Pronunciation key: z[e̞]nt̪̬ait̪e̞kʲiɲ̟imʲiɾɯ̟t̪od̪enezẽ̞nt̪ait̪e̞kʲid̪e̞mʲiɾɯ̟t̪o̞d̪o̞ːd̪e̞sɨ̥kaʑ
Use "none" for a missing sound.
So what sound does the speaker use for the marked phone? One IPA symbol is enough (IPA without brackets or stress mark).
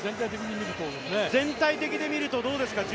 ẽ̞